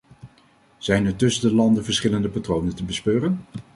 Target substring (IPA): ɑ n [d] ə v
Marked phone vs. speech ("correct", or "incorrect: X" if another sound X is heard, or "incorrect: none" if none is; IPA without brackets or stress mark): correct